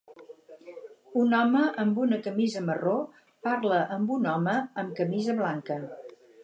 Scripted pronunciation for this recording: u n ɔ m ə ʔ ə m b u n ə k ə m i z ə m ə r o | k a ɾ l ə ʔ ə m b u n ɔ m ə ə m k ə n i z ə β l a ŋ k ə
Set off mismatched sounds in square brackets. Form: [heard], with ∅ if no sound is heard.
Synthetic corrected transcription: u n ɔ m ə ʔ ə m b u n ə k ə m i z ə m ə r o | [p] a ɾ l ə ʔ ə m b u n ɔ m ə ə m k ə [m] i z ə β l a ŋ k ə

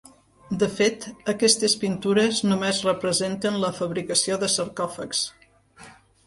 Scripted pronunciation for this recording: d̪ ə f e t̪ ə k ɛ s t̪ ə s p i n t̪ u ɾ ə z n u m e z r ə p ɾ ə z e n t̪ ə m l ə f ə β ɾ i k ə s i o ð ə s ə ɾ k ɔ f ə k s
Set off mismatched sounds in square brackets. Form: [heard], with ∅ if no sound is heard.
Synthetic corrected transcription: d̪ ə f e t̪ ə k ɛ s t̪ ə s p i n t̪ u ɾ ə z n u m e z r ə p ɾ ə z e n t̪ ə [n] l ə f ə β ɾ i k ə s i o ð ə s ə ɾ k ɔ f ə k s

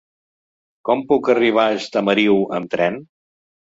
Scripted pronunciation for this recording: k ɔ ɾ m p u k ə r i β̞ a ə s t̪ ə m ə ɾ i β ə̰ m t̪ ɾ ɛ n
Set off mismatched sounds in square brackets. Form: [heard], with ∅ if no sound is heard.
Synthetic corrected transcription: k ɔ [∅] m p u k ə r i β̞ a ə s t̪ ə m ə ɾ i [w] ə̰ m t̪ ɾ ɛ n

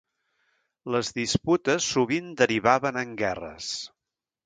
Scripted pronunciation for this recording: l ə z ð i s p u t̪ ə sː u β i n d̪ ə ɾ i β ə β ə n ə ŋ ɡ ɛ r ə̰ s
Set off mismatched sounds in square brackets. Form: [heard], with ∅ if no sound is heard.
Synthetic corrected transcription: l ə z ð i s p u t̪ ə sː u β i n d̪ ə ɾ i β [a] β ə n ə ŋ ɡ ɛ r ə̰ s

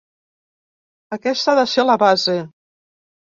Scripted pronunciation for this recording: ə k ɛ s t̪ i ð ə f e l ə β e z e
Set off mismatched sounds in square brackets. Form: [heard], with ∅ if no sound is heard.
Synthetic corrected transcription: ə k ɛ s t̪ [a] ð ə [s] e l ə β [a] z e

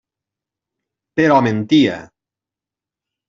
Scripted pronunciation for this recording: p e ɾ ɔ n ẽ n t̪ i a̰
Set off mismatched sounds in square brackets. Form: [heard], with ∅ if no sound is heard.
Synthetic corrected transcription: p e ɾ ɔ [m] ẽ n t̪ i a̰

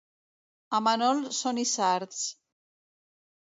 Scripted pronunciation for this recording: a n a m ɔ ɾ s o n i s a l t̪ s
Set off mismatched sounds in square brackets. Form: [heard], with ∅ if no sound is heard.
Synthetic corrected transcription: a [m] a [n] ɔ [l] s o n i s a [ɾ] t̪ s

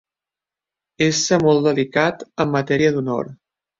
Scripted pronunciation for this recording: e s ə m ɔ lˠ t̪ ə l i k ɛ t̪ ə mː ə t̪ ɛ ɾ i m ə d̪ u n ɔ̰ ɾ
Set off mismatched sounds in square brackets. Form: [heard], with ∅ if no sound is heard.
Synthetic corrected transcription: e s ə m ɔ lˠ [d̪] ə l i k [a] t̪ ə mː ə t̪ ɛ ɾ i [∅] ə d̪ u n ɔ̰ ɾ

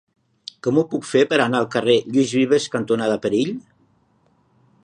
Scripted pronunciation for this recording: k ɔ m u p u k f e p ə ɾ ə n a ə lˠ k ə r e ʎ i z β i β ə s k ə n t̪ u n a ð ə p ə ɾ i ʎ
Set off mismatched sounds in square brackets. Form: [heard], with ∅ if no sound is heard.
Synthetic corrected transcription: k ɔ m u p u k f e p ə ɾ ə n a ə lˠ k ə r e ʎ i z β i β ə s k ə n t̪ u n a ð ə p ə ɾ i ʎ

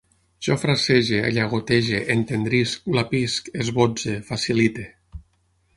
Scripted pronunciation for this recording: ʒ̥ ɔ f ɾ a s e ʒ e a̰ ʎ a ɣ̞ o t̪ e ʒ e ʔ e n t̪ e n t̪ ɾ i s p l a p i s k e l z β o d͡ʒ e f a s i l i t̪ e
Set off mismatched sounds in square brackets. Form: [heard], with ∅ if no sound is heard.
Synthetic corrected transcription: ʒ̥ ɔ f ɾ a s e ʒ e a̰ ʎ a ɣ̞ o t̪ e ʒ e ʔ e n t̪ e n [d̪] ɾ i s [k] l a p i s k e [∅] z β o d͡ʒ e f a s i l i t̪ e

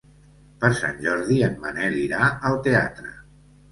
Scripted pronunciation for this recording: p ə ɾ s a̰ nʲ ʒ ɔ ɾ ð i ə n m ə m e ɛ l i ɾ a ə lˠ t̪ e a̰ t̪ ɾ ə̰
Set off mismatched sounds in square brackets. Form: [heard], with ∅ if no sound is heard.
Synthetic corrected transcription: p ə ɾ s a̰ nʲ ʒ ɔ ɾ ð i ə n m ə [n] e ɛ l i ɾ a ə lˠ t̪ e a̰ t̪ ɾ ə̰

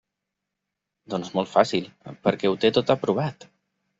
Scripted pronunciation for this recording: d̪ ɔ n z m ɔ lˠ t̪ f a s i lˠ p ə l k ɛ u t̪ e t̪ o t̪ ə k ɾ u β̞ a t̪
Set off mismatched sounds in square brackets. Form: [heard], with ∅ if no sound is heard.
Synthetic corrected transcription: d̪ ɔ n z m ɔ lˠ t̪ f a s i lˠ p ə [ɾ] k ɛ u t̪ e t̪ o t̪ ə [p] ɾ u β̞ a t̪

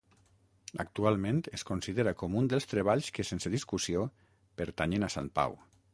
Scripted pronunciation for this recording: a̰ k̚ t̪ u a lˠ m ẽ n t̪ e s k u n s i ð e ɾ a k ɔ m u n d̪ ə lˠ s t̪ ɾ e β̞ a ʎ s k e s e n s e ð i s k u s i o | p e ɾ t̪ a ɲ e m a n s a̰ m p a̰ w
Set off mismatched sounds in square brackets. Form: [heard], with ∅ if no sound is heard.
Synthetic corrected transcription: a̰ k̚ t̪ u a lˠ m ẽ n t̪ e s k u n s i ð e ɾ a k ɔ m u n d̪ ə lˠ s t̪ ɾ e β̞ a ʎ s k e s e n s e ð i s k u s i o | p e ɾ t̪ a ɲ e [n] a [∅] s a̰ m p a̰ w

